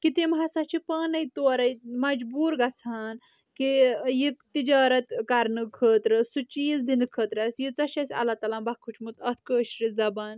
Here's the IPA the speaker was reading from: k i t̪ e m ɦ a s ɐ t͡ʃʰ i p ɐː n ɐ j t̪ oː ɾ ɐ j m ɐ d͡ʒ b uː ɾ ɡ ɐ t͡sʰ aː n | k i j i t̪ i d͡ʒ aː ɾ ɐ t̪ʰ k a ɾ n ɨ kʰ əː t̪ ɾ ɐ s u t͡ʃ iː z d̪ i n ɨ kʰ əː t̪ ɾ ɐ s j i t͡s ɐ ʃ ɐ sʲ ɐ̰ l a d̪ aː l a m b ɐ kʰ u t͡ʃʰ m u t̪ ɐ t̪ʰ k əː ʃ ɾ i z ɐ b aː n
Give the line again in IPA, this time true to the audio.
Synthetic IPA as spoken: k i t̪ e m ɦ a s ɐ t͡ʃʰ i p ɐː n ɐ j t̪ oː ɾ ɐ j m ɐ d͡ʒ b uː ɾ ɡ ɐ t͡sʰ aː n | k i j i t̪ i d͡ʒ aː ɾ ɐ t̪ k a ɾ n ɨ kʰ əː t̪ ɾ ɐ s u t͡ʃ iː z d̪ i n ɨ kʰ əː t̪ ɾ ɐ s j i t͡s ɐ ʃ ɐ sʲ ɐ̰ l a t̪ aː l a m b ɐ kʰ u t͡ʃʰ m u t̪ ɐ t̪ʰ k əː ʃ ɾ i z ɐ b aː n